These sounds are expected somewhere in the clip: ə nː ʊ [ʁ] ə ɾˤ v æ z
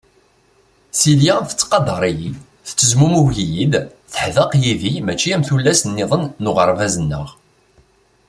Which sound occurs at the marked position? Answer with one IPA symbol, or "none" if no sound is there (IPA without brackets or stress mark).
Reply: ʁ